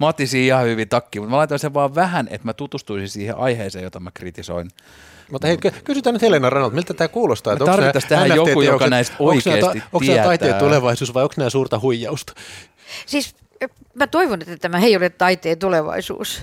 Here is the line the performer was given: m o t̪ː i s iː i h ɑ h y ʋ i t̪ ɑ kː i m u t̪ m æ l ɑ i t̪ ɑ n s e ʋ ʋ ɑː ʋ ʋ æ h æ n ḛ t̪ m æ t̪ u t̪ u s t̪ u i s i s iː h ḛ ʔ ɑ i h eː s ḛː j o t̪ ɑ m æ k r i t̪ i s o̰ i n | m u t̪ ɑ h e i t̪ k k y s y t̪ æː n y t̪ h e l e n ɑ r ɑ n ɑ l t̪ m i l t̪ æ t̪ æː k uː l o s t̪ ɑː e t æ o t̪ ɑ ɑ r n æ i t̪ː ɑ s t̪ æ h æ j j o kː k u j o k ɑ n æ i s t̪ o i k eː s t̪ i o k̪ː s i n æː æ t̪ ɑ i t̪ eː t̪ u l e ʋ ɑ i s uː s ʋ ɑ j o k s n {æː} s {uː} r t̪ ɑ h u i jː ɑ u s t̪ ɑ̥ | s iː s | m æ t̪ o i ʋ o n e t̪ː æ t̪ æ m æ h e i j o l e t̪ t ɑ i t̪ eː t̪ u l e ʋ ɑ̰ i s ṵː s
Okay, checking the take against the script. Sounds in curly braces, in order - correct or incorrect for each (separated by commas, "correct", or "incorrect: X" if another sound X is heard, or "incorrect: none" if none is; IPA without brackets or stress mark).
correct, correct